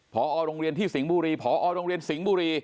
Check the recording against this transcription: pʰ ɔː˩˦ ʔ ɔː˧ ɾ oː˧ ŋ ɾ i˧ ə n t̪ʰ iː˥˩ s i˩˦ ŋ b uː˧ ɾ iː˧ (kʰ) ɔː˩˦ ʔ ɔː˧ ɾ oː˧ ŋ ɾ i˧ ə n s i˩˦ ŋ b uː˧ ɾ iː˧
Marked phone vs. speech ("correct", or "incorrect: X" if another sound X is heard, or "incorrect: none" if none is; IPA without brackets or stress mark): incorrect: pʰ